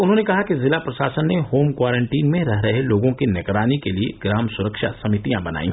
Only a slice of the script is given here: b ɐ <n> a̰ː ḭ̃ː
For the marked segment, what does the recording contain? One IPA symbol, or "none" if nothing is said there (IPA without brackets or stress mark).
n